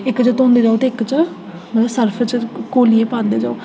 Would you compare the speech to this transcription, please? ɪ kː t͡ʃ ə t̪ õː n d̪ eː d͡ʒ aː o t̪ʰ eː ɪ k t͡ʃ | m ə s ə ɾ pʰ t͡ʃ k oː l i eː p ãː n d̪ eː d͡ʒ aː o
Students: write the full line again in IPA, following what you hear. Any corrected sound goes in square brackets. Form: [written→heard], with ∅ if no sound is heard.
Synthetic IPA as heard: ɪ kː t͡ʃ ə t̪ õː n d̪ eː d͡ʒ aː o [t̪ʰ→t̪] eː ɪ k t͡ʃ | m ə s ə ɾ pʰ t͡ʃ k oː l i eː p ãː n d̪ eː d͡ʒ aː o

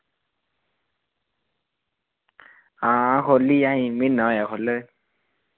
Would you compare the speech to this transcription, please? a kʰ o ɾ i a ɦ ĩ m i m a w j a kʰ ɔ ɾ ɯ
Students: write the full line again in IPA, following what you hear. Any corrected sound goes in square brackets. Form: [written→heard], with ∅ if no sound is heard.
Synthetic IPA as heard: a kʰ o [ɾ→l] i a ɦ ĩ m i [m→n] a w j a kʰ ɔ [ɾ→l] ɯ

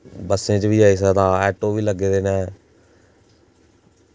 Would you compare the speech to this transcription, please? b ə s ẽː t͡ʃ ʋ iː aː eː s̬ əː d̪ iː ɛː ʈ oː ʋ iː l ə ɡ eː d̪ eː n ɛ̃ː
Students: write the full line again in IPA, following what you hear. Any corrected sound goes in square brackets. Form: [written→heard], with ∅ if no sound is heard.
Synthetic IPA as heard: b ə s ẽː t͡ʃ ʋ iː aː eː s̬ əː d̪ [iː→aː] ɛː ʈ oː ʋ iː l ə ɡ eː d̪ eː n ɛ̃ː

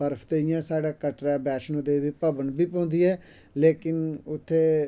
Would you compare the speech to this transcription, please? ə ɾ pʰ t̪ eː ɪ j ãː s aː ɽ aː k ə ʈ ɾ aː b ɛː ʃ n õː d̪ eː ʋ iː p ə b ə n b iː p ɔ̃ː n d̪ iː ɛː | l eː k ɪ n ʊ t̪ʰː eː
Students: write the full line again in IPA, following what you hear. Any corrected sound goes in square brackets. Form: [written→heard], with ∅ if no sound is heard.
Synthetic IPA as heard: ə ɾ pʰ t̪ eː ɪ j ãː s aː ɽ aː k ə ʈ ɾ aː b ɛː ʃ n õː d̪ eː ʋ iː p ə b ə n b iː p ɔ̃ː n d̪ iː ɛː | l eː k ɪ n ʊ t̪ʰː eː

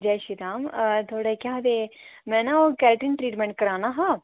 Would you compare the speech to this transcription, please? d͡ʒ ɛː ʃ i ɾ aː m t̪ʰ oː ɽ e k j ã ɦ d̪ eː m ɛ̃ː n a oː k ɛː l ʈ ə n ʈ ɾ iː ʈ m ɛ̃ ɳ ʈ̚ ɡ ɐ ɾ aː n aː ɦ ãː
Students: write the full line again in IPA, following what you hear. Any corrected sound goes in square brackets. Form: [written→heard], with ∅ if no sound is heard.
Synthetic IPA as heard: d͡ʒ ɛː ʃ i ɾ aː m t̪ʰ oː ɽ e k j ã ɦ d̪ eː m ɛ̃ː n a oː k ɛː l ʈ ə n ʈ ɾ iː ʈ m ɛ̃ ɳ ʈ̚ [ɡ→k] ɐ ɾ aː n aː ɦ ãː

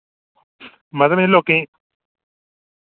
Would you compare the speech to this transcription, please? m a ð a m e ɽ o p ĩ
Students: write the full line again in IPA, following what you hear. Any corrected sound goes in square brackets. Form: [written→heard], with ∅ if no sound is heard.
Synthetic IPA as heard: m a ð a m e [ɽ→l] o [p→k] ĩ

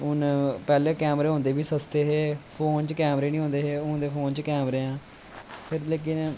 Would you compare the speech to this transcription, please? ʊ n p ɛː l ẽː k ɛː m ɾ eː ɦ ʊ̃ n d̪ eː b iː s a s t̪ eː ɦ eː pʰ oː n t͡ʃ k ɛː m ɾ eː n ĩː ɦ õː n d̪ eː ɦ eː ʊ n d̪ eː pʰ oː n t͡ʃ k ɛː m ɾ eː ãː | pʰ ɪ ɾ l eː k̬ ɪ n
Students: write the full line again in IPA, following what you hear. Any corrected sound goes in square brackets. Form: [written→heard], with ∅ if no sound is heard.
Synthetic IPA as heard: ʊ n p ɛː l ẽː k ɛː m ɾ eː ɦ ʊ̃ n d̪ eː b iː s [a→ə] s t̪ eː ɦ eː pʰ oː n t͡ʃ k ɛː m ɾ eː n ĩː ɦ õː n d̪ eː ɦ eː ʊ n d̪ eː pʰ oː n t͡ʃ k ɛː m ɾ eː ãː | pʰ ɪ ɾ l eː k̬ ɪ n

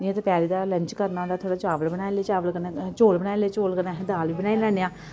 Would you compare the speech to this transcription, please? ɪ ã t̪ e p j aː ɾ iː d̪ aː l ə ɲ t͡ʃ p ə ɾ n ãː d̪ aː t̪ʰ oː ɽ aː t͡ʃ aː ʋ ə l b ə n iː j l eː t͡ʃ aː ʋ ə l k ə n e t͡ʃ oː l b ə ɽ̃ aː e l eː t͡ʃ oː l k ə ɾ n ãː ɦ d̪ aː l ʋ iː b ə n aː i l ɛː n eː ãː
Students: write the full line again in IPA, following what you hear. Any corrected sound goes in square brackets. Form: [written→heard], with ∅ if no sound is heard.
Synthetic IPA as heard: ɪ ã t̪ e p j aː ɾ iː d̪ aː l ə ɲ t͡ʃ [p→k] ə ɾ n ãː d̪ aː t̪ʰ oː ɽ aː t͡ʃ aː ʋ ə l b ə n [iː→aː] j l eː t͡ʃ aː ʋ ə l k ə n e t͡ʃ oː l b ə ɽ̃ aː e l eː t͡ʃ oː l k ə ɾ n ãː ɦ d̪ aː l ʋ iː b ə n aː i l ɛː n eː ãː

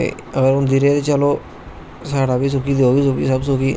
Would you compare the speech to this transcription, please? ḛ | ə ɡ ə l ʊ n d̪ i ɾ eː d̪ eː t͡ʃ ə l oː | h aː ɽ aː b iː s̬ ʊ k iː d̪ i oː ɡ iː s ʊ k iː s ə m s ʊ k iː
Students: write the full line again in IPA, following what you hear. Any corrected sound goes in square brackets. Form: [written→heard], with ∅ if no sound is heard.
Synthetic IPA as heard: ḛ | ə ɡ ə [l→ɾ] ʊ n d̪ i ɾ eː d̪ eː t͡ʃ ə l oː | [h→s] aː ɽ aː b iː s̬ ʊ k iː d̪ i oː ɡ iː s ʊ k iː s ə [m→b] s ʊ k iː

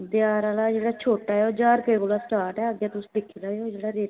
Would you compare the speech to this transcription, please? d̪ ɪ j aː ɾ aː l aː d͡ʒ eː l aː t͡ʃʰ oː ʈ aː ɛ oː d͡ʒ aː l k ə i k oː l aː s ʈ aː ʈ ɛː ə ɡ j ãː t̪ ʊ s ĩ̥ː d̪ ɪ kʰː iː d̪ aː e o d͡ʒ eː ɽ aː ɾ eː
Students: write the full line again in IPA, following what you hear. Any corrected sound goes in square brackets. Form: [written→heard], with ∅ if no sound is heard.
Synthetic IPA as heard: d̪ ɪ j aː ɾ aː l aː d͡ʒ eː [l→ɽ] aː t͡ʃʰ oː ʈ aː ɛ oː d͡ʒ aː [l→ɾ] k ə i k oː l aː s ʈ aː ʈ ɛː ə ɡ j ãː t̪ ʊ s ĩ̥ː d̪ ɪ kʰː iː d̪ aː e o d͡ʒ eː ɽ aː ɾ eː

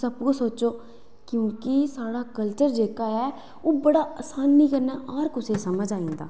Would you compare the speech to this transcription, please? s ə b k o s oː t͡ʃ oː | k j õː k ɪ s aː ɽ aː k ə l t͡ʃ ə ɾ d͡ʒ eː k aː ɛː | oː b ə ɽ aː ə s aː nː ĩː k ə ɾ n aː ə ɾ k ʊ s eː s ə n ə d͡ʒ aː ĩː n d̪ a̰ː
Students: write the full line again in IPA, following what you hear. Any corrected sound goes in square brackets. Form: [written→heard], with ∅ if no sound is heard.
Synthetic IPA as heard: s ə b k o s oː t͡ʃ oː | k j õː k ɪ s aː ɽ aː k ə l t͡ʃ ə ɾ d͡ʒ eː k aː ɛː | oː b ə ɽ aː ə s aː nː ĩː k ə ɾ n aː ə ɾ k ʊ s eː s ə [n→m] ə d͡ʒ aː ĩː n d̪ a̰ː

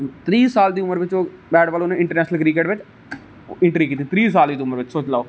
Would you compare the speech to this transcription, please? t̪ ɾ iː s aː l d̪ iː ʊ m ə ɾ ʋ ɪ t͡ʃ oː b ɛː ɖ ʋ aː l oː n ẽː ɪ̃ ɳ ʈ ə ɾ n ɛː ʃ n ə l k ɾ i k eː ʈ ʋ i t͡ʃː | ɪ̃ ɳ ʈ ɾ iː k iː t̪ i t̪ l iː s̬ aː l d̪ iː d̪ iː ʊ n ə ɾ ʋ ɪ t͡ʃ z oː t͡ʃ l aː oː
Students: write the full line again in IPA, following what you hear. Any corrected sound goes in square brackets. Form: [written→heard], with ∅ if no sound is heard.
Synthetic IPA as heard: t̪ ɾ iː s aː l d̪ iː ʊ m ə ɾ ʋ ɪ t͡ʃ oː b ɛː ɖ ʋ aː l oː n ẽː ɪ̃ ɳ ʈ ə ɾ n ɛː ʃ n ə l k ɾ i k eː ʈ ʋ [i→ɪ] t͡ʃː | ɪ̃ ɳ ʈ ɾ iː k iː t̪ i t̪ [l→ɾ] iː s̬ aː l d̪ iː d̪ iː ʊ [n→m] ə ɾ ʋ ɪ t͡ʃ [z→s] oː t͡ʃ l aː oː

